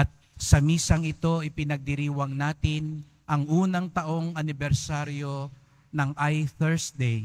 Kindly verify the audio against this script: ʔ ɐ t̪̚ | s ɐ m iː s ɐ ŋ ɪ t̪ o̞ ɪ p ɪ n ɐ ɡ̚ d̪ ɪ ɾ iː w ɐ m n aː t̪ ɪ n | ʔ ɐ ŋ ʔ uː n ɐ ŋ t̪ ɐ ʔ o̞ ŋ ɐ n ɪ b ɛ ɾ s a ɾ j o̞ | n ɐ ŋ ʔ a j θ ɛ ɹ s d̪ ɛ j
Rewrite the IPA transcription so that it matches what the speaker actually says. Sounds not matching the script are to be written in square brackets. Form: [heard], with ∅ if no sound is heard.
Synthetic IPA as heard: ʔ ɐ t̪̚ | s ɐ m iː s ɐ ŋ ɪ t̪ o̞ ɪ p ɪ n ɐ ɡ̚ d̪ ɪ ɾ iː w ɐ [ŋ] n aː t̪ ɪ n | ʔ ɐ ŋ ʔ uː n ɐ ŋ t̪ ɐ ʔ o̞ ŋ ɐ n ɪ b ɛ ɾ s a ɾ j o̞ | n ɐ ŋ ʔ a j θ ɛ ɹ s d̪ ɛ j